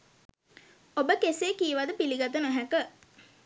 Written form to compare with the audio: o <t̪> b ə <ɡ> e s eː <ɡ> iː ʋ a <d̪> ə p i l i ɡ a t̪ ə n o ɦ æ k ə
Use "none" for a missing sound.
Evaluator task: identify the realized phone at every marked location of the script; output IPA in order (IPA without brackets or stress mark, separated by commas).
none, k, k, d̪